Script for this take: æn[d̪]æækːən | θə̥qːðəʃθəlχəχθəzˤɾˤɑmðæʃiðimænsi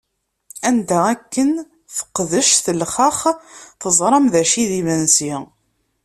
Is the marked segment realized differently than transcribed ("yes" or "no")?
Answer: no